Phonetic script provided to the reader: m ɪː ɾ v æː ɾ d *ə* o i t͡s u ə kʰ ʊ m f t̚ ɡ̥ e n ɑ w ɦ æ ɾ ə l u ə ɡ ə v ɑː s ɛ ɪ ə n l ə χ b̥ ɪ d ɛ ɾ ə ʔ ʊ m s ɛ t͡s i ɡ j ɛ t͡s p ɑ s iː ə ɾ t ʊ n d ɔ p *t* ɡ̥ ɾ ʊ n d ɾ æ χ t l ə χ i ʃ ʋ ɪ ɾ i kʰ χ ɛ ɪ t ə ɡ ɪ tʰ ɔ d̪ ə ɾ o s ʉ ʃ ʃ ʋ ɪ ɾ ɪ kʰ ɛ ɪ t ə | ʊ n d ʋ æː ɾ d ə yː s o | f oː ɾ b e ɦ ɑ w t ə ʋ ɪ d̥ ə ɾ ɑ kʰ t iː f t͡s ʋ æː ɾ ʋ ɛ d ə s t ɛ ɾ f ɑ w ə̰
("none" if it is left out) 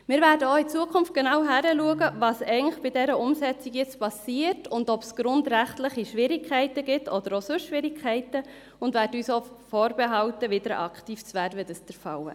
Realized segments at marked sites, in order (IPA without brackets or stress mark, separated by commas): ə, s